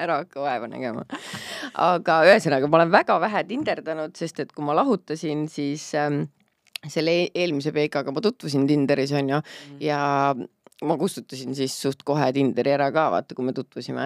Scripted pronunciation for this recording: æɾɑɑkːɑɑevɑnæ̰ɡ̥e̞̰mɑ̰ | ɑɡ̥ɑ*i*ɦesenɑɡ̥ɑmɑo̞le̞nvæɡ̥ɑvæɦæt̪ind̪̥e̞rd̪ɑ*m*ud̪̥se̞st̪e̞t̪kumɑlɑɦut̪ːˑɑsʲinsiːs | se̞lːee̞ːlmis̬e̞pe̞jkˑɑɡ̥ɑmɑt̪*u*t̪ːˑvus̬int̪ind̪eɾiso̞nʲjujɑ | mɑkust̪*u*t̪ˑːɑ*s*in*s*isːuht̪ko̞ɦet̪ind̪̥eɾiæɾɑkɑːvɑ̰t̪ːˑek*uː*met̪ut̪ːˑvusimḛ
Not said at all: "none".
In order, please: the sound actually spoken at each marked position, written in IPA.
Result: y, n, u, u, s, s, u

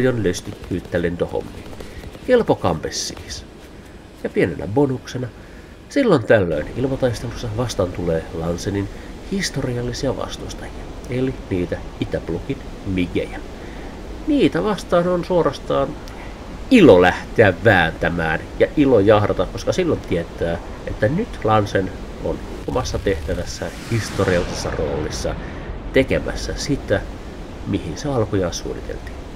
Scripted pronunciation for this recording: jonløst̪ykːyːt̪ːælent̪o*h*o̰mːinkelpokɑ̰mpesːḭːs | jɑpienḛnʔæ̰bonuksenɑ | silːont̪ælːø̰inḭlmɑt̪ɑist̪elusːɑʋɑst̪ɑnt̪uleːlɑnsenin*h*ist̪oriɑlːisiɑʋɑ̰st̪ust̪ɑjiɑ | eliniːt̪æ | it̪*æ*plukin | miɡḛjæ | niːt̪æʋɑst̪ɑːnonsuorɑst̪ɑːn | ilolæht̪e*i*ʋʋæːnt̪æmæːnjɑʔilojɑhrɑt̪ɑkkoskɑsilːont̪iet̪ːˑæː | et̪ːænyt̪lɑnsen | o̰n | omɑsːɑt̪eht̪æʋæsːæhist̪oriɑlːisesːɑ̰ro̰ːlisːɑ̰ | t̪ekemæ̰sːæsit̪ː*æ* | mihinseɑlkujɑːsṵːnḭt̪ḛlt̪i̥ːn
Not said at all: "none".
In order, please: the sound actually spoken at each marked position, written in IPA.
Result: h, h, æ, æ, æ

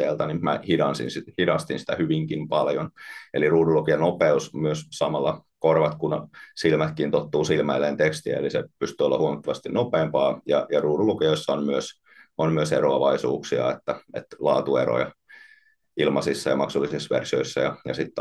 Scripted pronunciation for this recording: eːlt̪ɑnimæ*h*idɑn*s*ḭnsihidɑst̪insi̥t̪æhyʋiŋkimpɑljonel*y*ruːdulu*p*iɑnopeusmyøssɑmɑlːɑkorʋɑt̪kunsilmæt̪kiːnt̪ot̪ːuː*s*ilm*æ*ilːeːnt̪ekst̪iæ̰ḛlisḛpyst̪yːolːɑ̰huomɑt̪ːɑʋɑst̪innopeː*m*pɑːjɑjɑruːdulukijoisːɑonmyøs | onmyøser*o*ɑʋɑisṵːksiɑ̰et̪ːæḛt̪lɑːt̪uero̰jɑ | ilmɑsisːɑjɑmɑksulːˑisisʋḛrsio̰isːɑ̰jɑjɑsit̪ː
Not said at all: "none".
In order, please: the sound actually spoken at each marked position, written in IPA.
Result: h, s, i, k, s, æ, m, o

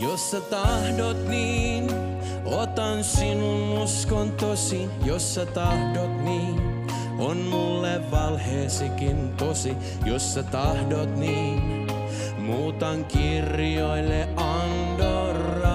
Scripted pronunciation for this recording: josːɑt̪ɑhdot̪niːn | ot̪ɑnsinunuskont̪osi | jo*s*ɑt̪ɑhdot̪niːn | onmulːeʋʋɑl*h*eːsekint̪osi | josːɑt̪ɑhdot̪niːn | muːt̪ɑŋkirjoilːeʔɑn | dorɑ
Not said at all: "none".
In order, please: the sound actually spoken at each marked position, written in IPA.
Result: sː, h

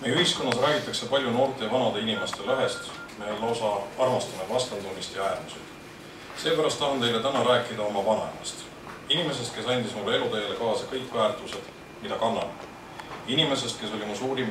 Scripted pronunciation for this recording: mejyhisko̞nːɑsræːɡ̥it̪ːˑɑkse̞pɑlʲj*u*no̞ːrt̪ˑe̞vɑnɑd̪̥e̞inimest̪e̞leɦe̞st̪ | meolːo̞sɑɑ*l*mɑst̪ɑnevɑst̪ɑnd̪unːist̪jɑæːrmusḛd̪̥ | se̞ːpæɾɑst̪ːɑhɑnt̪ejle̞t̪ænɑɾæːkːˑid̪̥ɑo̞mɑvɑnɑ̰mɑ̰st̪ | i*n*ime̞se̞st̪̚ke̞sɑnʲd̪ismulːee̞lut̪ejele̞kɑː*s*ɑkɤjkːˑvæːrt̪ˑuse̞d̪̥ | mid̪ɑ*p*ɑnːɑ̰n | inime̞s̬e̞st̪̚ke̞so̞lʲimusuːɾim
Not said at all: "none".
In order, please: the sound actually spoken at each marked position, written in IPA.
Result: u, r, n, s, k

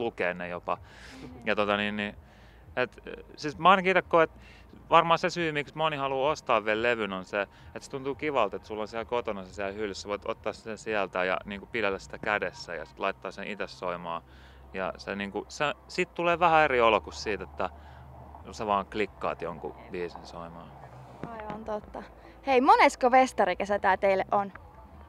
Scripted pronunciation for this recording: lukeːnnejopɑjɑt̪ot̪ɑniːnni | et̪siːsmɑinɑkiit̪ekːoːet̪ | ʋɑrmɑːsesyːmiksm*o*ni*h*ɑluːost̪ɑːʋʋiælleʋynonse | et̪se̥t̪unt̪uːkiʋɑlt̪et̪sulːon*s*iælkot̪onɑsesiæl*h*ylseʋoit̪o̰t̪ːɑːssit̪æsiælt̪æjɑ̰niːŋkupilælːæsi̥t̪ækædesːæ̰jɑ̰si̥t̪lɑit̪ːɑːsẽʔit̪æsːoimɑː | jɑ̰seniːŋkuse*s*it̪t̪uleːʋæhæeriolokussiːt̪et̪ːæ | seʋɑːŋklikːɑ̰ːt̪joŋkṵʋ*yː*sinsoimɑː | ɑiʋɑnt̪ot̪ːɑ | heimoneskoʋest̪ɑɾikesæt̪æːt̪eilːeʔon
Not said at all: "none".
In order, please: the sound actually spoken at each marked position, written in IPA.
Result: o, h, s, h, s, iː

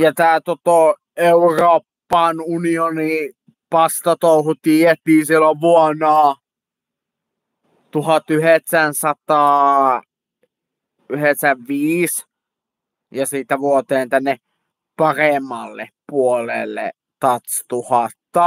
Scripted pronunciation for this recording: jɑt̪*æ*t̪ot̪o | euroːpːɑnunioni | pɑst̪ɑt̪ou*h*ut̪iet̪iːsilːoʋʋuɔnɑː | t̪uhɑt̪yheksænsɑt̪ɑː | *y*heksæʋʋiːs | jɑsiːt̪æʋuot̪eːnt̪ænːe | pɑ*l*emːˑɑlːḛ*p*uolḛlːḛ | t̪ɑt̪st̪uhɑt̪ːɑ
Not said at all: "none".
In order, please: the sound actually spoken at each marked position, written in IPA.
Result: æː, h, y, r, p

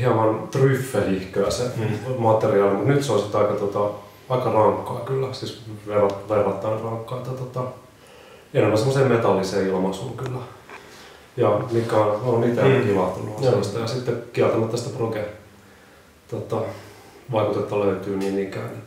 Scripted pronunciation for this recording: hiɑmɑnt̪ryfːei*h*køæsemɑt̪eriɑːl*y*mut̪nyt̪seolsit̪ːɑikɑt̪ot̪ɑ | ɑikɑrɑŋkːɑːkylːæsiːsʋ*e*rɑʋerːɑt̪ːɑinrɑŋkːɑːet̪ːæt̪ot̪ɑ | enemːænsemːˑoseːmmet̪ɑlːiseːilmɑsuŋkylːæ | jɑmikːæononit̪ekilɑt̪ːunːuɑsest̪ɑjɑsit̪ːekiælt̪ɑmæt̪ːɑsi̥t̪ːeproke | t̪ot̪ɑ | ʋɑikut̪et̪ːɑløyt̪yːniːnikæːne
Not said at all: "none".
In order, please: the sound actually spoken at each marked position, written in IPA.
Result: h, i, e

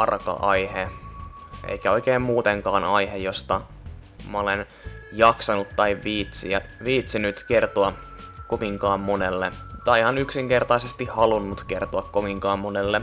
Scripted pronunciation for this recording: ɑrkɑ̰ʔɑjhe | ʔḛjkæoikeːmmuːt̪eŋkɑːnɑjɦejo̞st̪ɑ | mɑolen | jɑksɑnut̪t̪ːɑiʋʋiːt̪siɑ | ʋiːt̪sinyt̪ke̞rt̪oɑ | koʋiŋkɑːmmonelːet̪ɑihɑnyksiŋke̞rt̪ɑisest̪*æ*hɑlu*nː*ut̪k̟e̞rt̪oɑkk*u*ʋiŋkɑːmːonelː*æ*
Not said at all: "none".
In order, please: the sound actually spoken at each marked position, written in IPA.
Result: i, nː, o, e

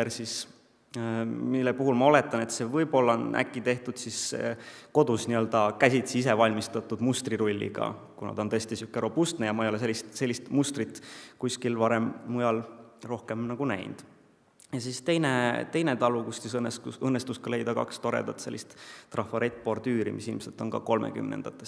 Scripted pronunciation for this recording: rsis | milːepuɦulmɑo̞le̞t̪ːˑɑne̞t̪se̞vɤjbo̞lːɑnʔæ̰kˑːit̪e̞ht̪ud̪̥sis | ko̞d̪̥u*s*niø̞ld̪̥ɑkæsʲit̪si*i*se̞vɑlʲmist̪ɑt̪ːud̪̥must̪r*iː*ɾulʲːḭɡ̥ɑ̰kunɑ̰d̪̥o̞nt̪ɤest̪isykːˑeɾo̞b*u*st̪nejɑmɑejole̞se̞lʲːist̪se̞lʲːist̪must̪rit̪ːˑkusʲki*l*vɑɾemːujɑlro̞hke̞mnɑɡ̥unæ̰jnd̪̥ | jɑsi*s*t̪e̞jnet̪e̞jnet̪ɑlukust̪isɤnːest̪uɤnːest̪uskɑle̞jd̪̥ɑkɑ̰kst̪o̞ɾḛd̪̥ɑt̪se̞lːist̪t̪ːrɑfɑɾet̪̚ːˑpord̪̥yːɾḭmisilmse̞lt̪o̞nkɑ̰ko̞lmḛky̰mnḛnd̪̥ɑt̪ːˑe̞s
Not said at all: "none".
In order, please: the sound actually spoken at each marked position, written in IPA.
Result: s, i, i, u, l, s

